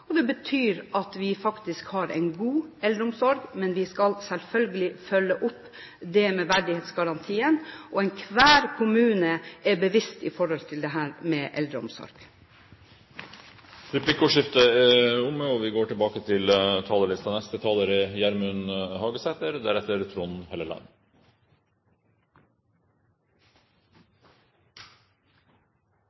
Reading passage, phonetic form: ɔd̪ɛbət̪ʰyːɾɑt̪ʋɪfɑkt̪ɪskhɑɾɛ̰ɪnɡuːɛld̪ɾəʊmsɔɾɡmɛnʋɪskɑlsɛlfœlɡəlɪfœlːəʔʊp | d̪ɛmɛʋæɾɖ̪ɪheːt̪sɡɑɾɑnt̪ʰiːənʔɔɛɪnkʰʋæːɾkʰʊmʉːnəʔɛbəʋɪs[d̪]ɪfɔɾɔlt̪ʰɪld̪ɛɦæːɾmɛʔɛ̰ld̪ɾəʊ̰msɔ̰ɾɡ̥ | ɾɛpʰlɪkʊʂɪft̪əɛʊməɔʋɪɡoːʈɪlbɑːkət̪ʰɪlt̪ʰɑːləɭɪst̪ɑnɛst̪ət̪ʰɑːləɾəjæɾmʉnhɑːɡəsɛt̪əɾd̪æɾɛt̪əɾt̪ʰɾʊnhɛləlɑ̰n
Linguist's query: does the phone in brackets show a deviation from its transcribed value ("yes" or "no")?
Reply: yes